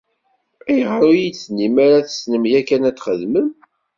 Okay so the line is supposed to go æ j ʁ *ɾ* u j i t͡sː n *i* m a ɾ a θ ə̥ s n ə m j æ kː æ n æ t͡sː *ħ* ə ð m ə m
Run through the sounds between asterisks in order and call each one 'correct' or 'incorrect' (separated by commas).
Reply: correct, correct, incorrect